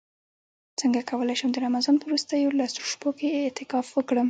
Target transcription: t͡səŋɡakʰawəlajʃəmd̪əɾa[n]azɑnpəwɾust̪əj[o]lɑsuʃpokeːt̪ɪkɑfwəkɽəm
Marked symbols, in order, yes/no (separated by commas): no, yes